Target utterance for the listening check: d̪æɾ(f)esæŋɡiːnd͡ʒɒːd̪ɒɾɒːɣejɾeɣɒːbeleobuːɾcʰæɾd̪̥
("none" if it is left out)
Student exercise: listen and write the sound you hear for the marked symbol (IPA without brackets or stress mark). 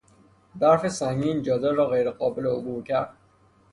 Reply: f